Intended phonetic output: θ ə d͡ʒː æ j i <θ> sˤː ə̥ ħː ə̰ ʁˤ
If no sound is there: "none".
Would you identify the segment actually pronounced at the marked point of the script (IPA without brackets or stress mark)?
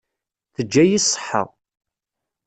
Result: none